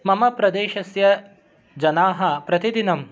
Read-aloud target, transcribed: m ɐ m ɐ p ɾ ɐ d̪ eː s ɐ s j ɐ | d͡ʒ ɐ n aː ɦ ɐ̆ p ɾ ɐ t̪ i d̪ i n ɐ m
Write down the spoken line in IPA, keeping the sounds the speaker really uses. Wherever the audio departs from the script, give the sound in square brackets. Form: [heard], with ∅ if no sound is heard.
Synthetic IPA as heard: m ɐ m ɐ p ɾ ɐ d̪ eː [ʃ] ɐ s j ɐ | d͡ʒ ɐ n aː ɦ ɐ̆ p ɾ ɐ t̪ i d̪ i n ɐ m